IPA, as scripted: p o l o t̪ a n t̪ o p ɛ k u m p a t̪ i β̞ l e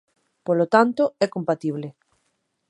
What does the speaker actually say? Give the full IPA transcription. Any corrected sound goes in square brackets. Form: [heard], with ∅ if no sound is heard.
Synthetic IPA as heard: p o l o t̪ a n t̪ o [∅] ɛ k [o] m p a t̪ i β̞ l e